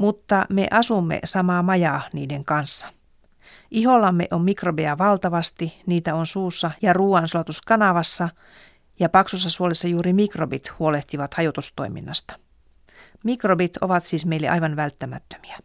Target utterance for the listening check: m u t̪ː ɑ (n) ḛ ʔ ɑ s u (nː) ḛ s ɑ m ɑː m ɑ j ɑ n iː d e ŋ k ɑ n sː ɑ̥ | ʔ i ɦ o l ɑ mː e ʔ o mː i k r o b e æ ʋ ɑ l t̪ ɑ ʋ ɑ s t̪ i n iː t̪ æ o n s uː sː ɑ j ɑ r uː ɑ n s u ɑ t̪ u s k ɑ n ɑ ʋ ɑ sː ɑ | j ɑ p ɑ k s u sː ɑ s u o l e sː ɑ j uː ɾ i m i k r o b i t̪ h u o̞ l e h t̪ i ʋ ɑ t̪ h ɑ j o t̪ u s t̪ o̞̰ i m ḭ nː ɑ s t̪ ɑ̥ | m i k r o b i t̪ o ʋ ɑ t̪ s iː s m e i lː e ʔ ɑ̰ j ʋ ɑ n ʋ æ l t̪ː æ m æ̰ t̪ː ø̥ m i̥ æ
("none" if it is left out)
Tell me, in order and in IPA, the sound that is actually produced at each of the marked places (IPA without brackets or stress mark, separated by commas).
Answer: m, mː